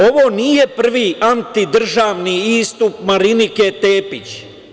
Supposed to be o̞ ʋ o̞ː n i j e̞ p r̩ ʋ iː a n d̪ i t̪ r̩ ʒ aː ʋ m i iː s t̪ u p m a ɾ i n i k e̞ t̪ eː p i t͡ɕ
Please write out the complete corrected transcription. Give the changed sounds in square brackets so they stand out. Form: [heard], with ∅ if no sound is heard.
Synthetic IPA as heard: o̞ ʋ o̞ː n i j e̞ p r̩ ʋ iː a n [t̪] i [d̪] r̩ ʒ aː ʋ [n] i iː s t̪ u p m a ɾ i n i k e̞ t̪ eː p i t͡ɕ